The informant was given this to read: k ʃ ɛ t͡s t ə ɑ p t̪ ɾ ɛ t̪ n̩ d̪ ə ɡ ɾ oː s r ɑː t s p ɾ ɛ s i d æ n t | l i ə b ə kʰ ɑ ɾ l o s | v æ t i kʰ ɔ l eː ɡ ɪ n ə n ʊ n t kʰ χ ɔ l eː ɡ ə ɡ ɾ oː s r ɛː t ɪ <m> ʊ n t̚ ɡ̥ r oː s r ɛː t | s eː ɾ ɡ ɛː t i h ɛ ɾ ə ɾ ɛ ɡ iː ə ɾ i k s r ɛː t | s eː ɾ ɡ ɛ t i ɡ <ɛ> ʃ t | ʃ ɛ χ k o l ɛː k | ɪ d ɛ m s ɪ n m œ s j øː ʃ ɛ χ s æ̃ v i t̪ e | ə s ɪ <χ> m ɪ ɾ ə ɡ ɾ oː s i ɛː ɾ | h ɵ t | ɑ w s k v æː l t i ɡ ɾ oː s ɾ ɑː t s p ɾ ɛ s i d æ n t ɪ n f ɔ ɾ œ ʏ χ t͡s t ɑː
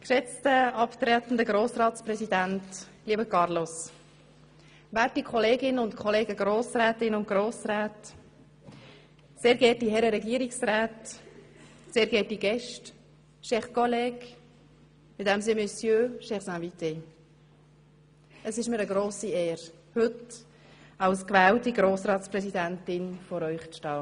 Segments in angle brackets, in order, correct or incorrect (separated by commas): incorrect, correct, incorrect